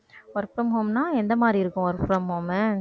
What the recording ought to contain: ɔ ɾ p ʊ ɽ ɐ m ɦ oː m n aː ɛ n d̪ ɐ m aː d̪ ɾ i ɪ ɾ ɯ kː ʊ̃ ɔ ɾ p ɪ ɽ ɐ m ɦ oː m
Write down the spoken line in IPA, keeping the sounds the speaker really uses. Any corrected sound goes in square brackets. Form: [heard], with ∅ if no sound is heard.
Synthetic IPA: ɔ ɾ p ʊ [ɾ] ɐ m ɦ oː m n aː ɛ n d̪ ɐ m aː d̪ ɾ i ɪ ɾ ɯ kː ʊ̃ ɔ ɾ p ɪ [ɾ] ɐ m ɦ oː m

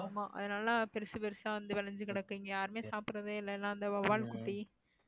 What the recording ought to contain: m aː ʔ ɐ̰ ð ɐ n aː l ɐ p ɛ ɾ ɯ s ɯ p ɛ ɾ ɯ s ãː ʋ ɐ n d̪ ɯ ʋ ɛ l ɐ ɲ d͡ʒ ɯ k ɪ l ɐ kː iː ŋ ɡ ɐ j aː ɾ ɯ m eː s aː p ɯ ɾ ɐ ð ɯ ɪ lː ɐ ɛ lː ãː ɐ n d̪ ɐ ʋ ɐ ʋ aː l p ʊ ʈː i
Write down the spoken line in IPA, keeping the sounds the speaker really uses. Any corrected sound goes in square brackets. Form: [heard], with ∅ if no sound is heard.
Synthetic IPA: m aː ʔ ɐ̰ ð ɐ n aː l ɐ p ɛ ɾ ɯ s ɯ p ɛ ɾ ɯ s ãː ʋ ɐ n d̪ ɯ ʋ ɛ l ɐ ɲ d͡ʒ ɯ k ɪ [ɽ] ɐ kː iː ŋ ɡ ɐ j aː ɾ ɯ m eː s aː p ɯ ɾ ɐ ð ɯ ɪ lː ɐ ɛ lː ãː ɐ n d̪ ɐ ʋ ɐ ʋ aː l [k] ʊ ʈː i

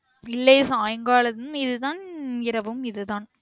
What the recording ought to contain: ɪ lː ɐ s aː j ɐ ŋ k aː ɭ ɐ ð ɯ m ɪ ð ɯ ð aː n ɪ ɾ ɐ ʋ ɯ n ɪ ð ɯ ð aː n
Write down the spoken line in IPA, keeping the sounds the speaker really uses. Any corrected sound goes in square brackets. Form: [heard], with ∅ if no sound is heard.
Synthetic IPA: ɪ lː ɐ s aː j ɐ ŋ [ɡ] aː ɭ ɐ ð ɯ m ɪ ð ɯ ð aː n ɪ ɾ ɐ ʋ ɯ [m] ɪ ð ɯ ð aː n

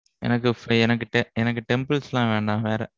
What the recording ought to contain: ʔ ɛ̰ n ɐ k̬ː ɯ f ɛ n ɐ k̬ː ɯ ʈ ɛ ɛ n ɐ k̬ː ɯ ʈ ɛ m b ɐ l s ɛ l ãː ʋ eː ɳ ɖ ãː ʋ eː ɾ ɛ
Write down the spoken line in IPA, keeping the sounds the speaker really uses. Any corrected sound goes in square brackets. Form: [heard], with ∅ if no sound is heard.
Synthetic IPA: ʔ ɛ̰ n ɐ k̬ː ɯ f ɛ n ɐ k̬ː ɯ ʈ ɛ ɛ n ɐ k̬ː ɯ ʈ ɛ m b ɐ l s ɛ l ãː ʋ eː ɳ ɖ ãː ʋ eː ɾ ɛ

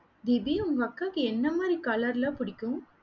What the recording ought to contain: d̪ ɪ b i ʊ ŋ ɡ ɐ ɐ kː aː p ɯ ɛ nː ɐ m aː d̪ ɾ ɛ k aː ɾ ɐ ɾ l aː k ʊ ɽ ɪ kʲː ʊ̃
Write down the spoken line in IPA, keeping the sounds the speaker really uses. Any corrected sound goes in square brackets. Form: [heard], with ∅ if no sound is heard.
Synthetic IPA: d̪ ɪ b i ʊ ŋ ɡ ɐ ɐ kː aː [k] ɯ ɛ nː ɐ m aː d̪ ɾ [i] k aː [l] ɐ ɾ l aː [p] ʊ ɽ ɪ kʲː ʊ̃

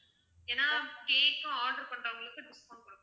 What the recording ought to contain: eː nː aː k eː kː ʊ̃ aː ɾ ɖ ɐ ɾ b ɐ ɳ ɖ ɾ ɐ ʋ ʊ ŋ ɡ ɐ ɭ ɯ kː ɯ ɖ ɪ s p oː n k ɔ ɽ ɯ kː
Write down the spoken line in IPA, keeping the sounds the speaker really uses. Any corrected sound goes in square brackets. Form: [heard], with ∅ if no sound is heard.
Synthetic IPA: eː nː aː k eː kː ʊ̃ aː ɾ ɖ ɐ ɾ [p] ɐ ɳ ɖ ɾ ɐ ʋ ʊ ŋ ɡ ɐ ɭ ɯ kː ɯ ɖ ɪ s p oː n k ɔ ɽ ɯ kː

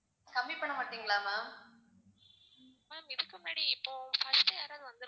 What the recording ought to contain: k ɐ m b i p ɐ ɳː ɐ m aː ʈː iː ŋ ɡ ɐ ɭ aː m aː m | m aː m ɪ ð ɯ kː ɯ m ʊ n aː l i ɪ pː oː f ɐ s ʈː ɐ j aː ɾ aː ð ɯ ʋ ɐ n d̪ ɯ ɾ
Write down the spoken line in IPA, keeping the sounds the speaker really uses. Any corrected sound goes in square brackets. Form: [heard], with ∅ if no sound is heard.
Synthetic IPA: k ɐ m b i p ɐ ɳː ɐ m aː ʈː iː ŋ ɡ ɐ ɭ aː m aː m | m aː m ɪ ð ɯ kː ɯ m ʊ n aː [ɽ] i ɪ pː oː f ɐ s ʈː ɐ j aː ɾ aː ð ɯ ʋ ɐ n d̪ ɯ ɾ

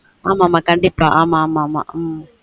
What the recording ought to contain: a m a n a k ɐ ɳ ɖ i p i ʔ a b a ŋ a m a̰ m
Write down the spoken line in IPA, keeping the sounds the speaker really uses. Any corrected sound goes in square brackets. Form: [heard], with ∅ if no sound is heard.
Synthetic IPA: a m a [m] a k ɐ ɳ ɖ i p [a] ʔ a [m] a [m] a m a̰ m

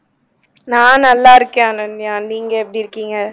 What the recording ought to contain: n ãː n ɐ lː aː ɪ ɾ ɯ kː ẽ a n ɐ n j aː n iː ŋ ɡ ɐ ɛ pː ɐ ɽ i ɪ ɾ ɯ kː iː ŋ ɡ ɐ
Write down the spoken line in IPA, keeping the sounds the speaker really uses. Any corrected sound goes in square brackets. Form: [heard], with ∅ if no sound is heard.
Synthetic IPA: n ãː n ɐ lː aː ɪ ɾ ɯ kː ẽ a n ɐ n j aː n iː ŋ ɡ ɐ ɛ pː ɐ ɽ i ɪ ɾ ɯ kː iː ŋ ɡ ɐ

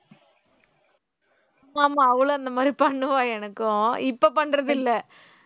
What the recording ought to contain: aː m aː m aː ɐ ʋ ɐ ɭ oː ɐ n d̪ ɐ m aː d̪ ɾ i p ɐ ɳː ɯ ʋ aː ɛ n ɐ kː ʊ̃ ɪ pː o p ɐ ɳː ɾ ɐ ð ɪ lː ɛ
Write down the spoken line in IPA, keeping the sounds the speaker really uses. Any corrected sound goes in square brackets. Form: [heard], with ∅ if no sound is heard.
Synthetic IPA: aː m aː m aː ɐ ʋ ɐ ɭ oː ɐ n d̪ ɐ m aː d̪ ɾ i p ɐ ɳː ɯ ʋ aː ɛ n ɐ kː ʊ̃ ɪ pː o p ɐ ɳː ɾ ɐ ð ɪ lː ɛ

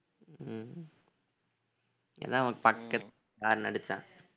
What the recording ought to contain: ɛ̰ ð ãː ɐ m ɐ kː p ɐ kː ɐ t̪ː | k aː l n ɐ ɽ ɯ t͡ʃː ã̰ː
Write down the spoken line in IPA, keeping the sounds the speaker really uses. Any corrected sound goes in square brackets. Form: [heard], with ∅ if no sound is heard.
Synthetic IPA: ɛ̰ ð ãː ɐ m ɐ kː p ɐ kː ɐ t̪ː | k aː [ɾ] n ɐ ɽ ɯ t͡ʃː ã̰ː

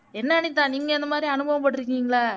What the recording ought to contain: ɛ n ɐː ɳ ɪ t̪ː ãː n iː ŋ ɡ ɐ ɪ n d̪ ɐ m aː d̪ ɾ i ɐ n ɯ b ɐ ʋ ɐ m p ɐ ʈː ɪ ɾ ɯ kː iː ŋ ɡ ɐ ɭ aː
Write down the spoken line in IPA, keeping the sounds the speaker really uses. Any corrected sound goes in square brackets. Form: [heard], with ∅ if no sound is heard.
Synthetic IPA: ɛ [nː] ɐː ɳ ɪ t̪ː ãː n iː ŋ ɡ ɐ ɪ n d̪ ɐ m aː d̪ ɾ i ɐ n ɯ b ɐ ʋ ɐ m p ɐ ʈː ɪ ɾ ɯ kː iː ŋ ɡ ɐ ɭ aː

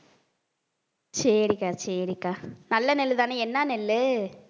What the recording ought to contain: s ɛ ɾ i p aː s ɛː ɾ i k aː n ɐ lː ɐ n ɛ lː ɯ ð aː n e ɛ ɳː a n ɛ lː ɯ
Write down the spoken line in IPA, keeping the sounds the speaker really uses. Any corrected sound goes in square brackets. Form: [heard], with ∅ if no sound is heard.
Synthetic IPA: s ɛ ɾ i [k] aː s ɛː ɾ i k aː n ɐ lː ɐ n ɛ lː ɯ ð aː n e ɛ [nː] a n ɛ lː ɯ

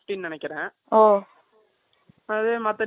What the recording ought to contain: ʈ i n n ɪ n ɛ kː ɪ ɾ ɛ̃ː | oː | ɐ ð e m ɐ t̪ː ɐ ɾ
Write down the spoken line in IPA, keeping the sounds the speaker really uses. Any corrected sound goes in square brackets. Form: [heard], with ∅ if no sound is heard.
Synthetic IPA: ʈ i n n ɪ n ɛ kː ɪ ɾ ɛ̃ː | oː | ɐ ð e m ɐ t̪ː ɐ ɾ

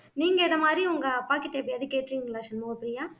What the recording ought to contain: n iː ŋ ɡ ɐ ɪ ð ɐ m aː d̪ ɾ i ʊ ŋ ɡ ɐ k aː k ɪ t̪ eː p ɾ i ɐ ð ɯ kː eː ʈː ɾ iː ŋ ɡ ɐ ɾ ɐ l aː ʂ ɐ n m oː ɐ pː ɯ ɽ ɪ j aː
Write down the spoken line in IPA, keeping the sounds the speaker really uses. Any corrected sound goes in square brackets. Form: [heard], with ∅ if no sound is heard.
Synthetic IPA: n iː ŋ ɡ ɐ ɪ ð ɐ m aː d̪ ɾ i ʊ ŋ ɡ ɐ [p] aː k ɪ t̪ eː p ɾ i ɐ ð ɯ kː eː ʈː ɾ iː ŋ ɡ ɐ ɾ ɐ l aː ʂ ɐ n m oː ɐ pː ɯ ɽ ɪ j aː

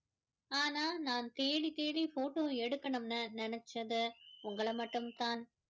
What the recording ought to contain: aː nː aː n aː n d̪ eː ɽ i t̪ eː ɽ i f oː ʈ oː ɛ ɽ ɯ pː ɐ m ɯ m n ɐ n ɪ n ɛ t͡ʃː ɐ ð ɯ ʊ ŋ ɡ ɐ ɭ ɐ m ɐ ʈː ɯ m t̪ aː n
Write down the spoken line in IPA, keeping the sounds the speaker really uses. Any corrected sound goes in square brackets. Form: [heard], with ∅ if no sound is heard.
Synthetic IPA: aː [n] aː n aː n [t̪] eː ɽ i t̪ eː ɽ i f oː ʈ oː ɛ ɽ ɯ [kː] ɐ [ɳ] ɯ m n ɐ n ɪ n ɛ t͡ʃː ɐ ð ɯ ʊ ŋ ɡ ɐ ɭ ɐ m ɐ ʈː ɯ m t̪ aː n

